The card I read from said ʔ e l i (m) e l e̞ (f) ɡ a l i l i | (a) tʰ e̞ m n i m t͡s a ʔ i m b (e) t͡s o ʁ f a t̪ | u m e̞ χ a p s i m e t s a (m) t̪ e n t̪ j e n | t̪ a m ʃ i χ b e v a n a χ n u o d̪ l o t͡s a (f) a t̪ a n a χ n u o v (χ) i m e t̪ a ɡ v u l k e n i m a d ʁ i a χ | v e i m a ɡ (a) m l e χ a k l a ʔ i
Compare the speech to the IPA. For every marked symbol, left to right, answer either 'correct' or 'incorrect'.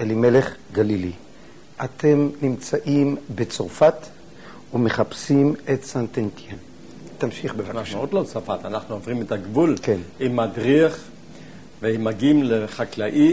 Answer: correct, incorrect, correct, correct, incorrect, correct, incorrect, incorrect

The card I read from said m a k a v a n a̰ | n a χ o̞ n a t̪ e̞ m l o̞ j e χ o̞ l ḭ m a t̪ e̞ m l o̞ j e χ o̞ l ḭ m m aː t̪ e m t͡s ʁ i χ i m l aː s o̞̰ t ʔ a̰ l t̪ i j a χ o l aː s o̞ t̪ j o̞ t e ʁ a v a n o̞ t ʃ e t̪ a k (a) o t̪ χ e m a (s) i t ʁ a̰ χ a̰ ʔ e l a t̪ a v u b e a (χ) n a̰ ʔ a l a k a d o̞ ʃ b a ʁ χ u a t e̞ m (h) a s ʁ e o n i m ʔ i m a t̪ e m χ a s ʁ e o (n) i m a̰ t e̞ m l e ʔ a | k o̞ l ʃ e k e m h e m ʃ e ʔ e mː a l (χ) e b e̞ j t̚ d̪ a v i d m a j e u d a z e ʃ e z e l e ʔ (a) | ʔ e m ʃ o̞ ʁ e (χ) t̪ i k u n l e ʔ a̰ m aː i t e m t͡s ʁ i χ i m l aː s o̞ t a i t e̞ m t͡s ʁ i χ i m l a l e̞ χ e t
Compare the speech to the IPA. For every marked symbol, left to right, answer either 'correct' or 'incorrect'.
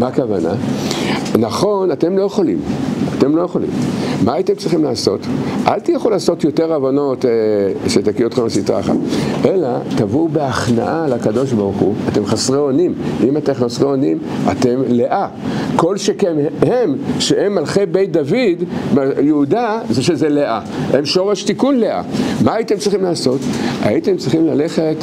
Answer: incorrect, correct, correct, incorrect, correct, correct, correct, incorrect

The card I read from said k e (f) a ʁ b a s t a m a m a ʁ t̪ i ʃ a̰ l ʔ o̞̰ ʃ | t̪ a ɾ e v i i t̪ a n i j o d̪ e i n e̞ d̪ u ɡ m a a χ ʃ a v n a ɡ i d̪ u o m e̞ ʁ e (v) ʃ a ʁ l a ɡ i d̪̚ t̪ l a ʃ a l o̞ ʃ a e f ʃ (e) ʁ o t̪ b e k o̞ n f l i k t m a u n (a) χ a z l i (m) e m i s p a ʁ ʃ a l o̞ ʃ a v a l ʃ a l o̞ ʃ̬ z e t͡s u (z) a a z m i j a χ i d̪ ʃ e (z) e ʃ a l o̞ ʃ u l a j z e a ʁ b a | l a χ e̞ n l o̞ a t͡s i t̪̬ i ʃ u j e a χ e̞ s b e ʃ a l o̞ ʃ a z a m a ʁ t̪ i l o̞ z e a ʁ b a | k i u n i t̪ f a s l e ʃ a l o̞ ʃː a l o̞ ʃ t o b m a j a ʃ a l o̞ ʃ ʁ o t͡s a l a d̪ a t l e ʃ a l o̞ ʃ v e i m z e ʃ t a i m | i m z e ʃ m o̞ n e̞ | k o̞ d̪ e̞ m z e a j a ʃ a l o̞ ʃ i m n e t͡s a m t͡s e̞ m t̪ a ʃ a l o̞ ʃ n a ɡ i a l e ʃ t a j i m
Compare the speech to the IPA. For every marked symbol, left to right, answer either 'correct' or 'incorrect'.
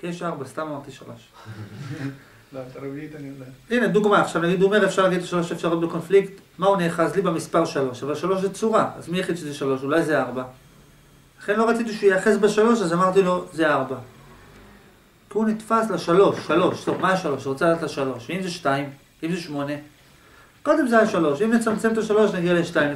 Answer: incorrect, incorrect, incorrect, incorrect, incorrect, incorrect, correct

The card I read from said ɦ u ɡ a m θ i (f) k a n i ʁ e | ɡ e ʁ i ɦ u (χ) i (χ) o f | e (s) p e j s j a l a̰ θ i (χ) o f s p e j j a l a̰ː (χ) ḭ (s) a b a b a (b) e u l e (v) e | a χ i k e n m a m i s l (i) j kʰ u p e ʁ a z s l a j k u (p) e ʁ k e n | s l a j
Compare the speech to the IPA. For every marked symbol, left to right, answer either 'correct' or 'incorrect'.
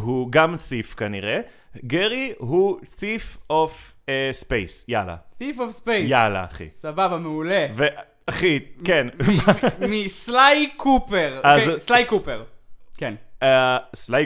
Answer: correct, incorrect, incorrect, correct, incorrect, correct, correct, incorrect, correct, incorrect, correct

